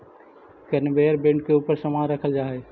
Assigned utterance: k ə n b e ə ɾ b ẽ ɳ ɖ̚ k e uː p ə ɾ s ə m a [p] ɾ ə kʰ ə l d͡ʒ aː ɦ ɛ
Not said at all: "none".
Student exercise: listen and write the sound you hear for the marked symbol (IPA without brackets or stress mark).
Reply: none